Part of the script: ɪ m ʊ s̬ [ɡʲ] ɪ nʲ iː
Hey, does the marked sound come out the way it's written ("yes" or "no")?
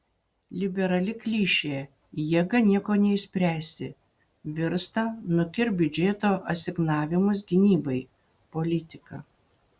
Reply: yes